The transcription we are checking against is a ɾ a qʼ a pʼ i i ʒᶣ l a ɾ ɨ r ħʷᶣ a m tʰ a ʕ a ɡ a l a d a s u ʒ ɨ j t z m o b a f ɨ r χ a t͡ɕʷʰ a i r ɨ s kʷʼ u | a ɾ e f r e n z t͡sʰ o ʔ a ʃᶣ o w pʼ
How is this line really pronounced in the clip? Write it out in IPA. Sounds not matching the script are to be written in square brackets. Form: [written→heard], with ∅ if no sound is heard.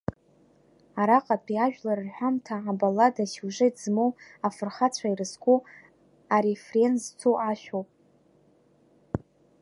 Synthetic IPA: a ɾ a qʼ a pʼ i [i→a] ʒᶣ l a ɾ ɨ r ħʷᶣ a m tʰ a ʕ a [ɡ→b] a l a d a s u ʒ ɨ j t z m o [b→w] a f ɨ r χ a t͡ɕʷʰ a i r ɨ s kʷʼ u | a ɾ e f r e n z t͡sʰ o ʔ a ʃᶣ o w pʼ